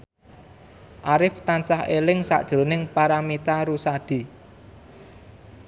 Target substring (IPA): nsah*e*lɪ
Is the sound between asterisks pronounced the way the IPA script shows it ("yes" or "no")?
yes